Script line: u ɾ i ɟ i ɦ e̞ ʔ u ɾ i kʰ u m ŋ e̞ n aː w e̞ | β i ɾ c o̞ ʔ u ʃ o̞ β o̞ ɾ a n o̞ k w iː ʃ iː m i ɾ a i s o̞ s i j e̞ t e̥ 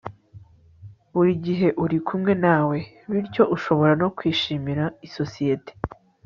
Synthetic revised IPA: u ɾ i ɟ i ɦ e̞ ʔ u ɾ i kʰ u m ŋ e̞ n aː w e̞ | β i ɾ c o̞ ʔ u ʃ o̞ β o̞ ɾ a n o̞ k w iː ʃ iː m i ɾ a i s o̞ s i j e̞ t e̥